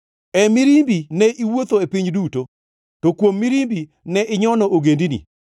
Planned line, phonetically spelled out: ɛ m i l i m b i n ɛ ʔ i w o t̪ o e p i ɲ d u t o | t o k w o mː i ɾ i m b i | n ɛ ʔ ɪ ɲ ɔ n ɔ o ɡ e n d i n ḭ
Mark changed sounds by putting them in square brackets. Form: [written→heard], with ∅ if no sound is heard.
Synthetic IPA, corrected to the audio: ɛ m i [l→ɾ] i m b i n ɛ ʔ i w o t̪ o e p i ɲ d u t o | t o k w o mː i ɾ i m b i | n ɛ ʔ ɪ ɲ ɔ n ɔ o ɡ e n d i n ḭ